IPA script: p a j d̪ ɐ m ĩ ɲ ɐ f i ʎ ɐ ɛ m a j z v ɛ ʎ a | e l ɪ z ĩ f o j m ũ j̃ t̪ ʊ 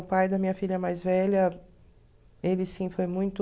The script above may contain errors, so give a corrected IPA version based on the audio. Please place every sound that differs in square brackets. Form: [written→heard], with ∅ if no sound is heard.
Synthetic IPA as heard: p a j d̪ ɐ m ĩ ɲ ɐ f i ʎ ɐ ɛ m a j z v ɛ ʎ [a→ɐ] | e l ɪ [z→s] ĩ f o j m ũ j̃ t̪ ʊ